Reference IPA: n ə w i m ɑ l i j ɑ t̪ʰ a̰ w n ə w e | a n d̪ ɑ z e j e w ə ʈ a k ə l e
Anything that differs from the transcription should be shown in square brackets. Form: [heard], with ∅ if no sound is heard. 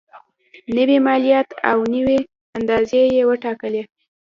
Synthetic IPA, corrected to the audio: n ə w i m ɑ l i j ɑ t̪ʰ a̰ w n ə w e | a n d̪ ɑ z e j e w ə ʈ [ɑ] k ə l e